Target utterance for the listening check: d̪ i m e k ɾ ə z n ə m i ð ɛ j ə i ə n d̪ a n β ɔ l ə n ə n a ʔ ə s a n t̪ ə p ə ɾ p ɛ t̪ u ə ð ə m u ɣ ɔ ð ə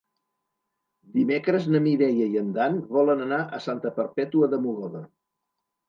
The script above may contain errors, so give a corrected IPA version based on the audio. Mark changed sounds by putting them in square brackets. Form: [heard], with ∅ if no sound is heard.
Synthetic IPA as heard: d̪ i m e k ɾ ə z n ə m i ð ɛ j ə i ə n d̪ a n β ɔ l ə n ə n a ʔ ə s a n t̪ ə p ə ɾ p ɛ t̪ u ə ð ə m u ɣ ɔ ð ə